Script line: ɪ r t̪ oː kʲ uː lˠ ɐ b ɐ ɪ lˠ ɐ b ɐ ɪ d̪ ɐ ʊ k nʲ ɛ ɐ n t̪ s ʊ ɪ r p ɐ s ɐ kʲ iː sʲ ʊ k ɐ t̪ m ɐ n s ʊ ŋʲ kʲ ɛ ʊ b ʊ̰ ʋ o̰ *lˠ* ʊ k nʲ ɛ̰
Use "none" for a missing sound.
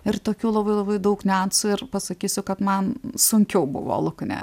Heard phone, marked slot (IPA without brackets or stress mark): lˠ